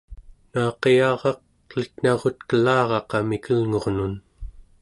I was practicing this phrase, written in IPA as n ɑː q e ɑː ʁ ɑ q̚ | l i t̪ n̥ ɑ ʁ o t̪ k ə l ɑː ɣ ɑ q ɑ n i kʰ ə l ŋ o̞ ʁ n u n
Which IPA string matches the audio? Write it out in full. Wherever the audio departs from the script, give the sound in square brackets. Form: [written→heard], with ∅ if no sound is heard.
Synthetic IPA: n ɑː q e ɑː ʁ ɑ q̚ | l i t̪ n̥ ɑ ʁ o t̪ k ə l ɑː [ɣ→ʁ] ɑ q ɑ [n→m] i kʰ ə l ŋ o̞ ʁ n u n